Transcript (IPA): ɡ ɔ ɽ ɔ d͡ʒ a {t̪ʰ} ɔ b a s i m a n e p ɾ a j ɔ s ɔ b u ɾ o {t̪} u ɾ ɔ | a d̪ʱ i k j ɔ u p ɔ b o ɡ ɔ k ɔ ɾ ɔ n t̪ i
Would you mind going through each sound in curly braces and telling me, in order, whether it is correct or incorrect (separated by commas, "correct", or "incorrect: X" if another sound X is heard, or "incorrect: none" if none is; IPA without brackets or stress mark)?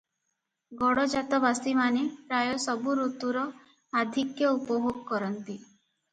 incorrect: t̪, correct